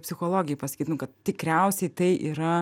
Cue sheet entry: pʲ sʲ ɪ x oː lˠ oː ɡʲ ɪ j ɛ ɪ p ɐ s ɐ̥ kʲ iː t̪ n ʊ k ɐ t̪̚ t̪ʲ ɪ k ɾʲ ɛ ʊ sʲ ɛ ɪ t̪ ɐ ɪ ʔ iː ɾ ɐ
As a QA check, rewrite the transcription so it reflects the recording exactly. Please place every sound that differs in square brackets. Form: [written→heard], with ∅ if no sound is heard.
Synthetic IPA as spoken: pʲ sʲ ɪ x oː lˠ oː ɡʲ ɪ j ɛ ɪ p ɐ s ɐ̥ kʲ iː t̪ n ʊ k ɐ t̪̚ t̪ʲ ɪ k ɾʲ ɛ ʊ sʲ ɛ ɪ t̪ ɐ ɪ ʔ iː ɾ ɐ